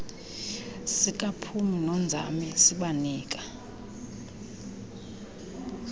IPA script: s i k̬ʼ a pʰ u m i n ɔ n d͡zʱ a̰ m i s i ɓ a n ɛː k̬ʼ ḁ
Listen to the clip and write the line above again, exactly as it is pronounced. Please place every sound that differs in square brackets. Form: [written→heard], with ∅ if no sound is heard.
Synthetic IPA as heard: s i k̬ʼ a pʰ u m i n ɔ n d͡zʱ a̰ m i s i ɓ a n [ɛː→iː] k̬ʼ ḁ